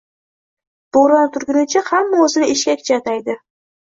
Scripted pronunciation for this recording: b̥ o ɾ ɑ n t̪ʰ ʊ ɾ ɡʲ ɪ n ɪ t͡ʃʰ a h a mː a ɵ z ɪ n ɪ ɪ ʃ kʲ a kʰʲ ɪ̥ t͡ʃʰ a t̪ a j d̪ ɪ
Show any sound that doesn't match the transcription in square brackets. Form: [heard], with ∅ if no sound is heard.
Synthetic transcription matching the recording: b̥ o ɾ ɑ n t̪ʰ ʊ ɾ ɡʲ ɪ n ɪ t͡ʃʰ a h a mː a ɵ z ɪ n ɪ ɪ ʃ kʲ a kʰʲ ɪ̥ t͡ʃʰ a t̪ a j d̪ ɪ